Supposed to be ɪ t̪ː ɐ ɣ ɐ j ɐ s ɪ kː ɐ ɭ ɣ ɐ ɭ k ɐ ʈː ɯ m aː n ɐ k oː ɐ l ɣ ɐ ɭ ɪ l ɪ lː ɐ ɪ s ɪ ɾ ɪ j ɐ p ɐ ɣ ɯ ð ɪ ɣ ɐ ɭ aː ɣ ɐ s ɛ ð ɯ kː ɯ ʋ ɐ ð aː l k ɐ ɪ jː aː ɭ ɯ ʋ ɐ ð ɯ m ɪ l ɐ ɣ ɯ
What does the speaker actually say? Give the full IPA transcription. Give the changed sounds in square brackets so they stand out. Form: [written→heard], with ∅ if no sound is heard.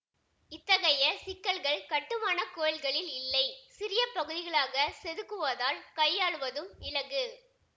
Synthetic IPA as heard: ɪ t̪ː ɐ ɣ ɐ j ɐ s ɪ kː ɐ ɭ ɣ ɐ ɭ k ɐ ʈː ɯ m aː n ɐ k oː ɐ l ɣ ɐ ɭ ɪ l ɪ lː ɐ ɪ s ɪ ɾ ɪ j ɐ p ɐ ɣ ɯ ð ɪ ɣ ɐ ɭ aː ɣ ɐ s ɛ ð ɯ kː ɯ ʋ ɐ ð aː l k ɐ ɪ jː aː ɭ ɯ ʋ ɐ ð ɯ m ɪ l ɐ ɣ ɯ

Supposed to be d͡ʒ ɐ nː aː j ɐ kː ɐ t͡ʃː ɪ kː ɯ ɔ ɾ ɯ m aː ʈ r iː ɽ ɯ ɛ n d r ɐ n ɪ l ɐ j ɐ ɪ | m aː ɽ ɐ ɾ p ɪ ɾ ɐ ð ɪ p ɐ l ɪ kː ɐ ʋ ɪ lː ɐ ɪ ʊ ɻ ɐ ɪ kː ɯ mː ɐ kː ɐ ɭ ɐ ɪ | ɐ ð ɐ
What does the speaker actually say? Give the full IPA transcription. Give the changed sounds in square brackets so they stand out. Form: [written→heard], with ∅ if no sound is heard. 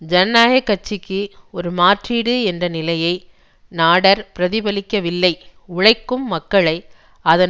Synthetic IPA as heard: d͡ʒ ɐ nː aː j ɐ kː ɐ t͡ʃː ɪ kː ɯ ɔ ɾ ɯ m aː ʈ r iː ɽ ɯ ɛ n d r ɐ n ɪ l ɐ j ɐ ɪ | [m→n] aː ɽ ɐ ɾ p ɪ ɾ ɐ ð ɪ [p→b] ɐ l ɪ kː ɐ ʋ ɪ lː ɐ ɪ ʊ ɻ ɐ ɪ kː ɯ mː ɐ kː ɐ ɭ ɐ ɪ | ɐ ð ɐ

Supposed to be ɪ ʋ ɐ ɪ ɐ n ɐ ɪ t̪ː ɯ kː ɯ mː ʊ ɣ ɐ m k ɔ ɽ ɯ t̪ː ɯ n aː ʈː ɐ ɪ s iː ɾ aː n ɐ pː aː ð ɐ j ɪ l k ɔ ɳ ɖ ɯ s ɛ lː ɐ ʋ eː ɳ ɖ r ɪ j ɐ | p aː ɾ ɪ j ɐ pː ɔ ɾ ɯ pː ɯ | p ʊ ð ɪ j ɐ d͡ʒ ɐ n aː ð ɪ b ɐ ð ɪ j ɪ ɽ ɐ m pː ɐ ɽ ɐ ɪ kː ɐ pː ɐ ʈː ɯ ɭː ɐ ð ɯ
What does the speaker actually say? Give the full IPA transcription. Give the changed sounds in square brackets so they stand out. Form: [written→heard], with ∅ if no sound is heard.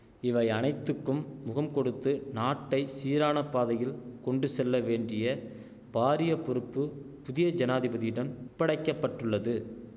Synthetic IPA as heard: ɪ ʋ ɐ ɪ ɐ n ɐ ɪ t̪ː ɯ kː ɯ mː ʊ ɣ ɐ m k ɔ ɽ ɯ t̪ː ɯ n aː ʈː ɐ ɪ s iː ɾ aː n ɐ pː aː ð ɐ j ɪ l k ɔ ɳ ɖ ɯ s ɛ lː ɐ ʋ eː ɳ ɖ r ɪ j ɐ | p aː ɾ ɪ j ɐ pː ɔ ɾ ɯ pː ɯ | p ʊ ð ɪ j ɐ d͡ʒ ɐ n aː ð ɪ b ɐ ð ɪ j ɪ ɽ ɐ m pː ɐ ɽ ɐ ɪ kː ɐ pː ɐ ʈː ɯ ɭː ɐ ð ɯ

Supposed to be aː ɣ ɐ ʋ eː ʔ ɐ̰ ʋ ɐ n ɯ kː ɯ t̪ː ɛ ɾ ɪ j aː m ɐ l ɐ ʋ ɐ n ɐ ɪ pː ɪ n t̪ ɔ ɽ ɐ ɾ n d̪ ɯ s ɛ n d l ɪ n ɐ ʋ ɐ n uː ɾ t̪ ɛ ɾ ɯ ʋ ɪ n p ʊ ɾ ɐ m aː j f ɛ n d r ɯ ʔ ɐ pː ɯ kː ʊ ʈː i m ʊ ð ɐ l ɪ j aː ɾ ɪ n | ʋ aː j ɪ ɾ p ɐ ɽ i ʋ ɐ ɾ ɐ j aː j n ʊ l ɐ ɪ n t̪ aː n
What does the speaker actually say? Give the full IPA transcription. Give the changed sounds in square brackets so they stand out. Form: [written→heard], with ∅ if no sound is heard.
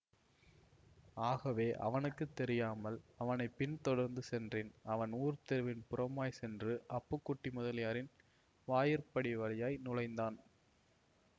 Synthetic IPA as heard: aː ɣ ɐ ʋ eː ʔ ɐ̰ ʋ ɐ n ɯ kː ɯ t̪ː ɛ ɾ ɪ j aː m ɐ l ɐ ʋ ɐ n ɐ ɪ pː ɪ n t̪ ɔ ɽ ɐ ɾ n d̪ ɯ s ɛ n d [l→r] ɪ n ɐ ʋ ɐ n uː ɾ t̪ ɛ ɾ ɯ ʋ ɪ n p ʊ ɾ ɐ m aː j [f→s] ɛ n d r ɯ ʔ ɐ pː ɯ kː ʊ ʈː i m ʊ ð ɐ l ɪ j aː ɾ ɪ n | ʋ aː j ɪ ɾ p ɐ ɽ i ʋ ɐ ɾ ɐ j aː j n ʊ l ɐ ɪ n [t̪→d̪] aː n

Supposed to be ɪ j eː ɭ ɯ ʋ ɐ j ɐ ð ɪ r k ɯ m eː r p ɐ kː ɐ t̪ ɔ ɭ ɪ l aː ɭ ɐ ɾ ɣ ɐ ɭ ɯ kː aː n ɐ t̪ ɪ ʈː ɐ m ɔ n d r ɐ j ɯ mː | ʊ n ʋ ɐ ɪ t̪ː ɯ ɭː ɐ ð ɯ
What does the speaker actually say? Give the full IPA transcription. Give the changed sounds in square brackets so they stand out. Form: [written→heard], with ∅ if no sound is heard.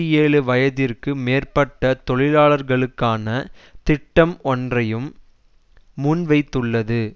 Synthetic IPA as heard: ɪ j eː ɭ ɯ ʋ ɐ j ɐ ð ɪ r k ɯ m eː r p ɐ [kː→ʈː] ɐ t̪ ɔ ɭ ɪ l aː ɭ ɐ ɾ ɣ ɐ ɭ ɯ kː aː n ɐ t̪ ɪ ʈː ɐ m ɔ n d r ɐ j ɯ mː | ʊ n ʋ ɐ ɪ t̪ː ɯ ɭː ɐ ð ɯ

